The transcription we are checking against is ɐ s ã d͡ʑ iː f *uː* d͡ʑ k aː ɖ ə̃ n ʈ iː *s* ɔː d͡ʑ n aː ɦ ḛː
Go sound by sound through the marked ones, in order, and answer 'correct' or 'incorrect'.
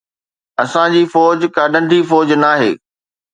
incorrect, incorrect

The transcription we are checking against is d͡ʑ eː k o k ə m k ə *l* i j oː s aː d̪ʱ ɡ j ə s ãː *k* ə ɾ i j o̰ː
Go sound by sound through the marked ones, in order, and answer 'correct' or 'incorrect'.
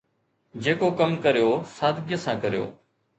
incorrect, correct

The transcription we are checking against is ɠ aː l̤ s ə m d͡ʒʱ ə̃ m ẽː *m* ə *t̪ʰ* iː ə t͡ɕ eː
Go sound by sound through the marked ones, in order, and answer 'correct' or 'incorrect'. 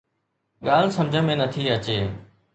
incorrect, correct

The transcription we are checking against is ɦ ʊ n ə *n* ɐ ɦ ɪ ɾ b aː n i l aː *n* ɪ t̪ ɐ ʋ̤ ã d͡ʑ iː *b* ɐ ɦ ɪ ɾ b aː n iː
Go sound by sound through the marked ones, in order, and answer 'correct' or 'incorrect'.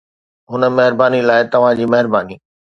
incorrect, incorrect, incorrect

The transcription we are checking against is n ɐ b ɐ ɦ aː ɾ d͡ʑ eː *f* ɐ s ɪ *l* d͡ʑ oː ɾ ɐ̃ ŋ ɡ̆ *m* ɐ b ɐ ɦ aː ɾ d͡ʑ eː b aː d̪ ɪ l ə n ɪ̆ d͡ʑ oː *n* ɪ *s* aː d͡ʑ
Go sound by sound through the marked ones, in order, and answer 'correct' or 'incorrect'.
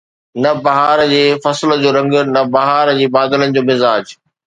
correct, correct, incorrect, incorrect, incorrect

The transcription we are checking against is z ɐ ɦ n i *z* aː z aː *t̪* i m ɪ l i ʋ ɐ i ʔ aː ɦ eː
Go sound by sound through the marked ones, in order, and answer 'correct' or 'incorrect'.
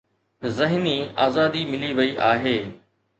incorrect, incorrect

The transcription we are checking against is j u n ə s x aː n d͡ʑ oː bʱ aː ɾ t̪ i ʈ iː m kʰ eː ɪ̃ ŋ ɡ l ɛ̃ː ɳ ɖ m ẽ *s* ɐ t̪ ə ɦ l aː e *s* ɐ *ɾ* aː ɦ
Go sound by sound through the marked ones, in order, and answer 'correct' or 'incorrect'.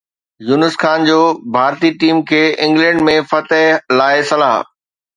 incorrect, correct, incorrect

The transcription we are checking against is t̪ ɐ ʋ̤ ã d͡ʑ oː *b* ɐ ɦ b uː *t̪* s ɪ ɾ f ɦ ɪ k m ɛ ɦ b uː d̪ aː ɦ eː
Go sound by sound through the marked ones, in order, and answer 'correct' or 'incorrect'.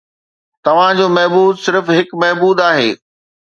incorrect, incorrect

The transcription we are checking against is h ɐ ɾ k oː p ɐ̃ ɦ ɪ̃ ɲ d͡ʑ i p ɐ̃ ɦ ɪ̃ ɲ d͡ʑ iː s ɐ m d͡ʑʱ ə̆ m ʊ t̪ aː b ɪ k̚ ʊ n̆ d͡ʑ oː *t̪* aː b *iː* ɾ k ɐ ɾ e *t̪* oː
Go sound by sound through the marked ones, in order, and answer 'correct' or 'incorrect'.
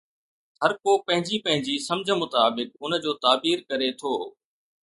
correct, correct, incorrect

